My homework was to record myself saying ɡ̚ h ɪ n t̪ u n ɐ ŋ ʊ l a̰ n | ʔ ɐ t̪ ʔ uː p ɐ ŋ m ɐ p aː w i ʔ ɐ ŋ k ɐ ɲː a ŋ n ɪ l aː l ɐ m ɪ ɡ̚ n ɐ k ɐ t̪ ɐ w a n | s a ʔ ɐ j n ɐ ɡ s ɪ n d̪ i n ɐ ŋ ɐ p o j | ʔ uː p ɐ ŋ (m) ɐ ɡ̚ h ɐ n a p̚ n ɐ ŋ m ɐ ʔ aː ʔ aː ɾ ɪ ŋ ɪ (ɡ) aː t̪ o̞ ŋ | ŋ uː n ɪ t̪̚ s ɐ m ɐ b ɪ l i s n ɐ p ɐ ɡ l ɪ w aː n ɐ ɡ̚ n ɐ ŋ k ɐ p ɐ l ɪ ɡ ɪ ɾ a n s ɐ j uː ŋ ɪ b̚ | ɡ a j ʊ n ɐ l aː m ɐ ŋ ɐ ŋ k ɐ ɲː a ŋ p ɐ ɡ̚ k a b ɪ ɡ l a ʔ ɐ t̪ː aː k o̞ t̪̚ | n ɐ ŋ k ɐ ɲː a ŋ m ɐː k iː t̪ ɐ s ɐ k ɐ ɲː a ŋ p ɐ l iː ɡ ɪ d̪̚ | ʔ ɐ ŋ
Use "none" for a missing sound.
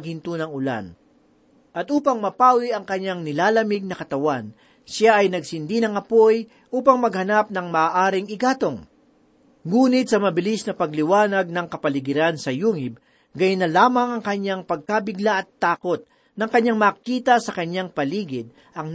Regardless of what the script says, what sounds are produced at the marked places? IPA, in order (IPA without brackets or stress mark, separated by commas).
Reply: m, ɡ